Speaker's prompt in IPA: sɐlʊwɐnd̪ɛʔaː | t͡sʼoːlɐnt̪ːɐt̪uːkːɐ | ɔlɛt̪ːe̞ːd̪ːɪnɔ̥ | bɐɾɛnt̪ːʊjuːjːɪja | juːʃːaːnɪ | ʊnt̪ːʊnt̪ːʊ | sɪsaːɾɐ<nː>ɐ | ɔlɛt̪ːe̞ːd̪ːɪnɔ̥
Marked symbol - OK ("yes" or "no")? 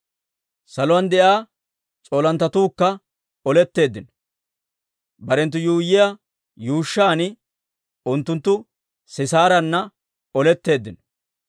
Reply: yes